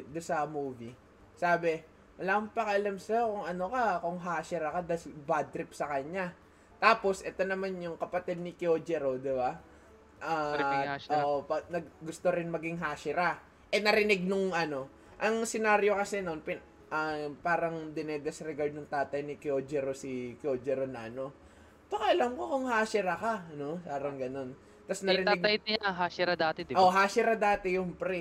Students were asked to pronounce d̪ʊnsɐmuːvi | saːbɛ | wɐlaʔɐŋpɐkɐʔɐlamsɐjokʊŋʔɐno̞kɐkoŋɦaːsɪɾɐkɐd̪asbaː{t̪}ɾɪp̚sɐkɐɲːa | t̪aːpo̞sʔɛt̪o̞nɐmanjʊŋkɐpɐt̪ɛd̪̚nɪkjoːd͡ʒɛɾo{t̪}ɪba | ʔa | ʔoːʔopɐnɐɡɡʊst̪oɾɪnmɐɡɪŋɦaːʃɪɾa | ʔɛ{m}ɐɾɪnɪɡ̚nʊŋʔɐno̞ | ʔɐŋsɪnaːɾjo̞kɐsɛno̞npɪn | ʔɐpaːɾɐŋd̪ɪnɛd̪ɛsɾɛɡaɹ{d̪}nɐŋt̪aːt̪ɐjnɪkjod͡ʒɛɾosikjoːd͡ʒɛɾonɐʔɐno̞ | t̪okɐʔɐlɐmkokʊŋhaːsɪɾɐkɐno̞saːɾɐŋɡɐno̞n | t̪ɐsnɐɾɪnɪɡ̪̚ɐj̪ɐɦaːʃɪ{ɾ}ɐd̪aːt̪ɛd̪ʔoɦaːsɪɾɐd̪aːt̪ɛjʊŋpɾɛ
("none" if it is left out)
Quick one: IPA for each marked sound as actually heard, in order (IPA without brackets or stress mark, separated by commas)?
d̪, d̪, n, d̪, ɾ